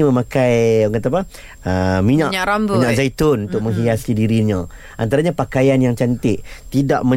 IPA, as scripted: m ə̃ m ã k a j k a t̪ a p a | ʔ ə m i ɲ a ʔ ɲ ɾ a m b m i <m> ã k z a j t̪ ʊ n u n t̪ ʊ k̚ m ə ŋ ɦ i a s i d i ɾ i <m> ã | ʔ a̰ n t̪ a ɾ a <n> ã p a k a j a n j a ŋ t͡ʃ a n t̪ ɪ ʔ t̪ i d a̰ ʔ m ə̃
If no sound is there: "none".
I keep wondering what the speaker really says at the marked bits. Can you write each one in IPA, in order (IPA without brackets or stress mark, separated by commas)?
ɲ, ɲ, ɲ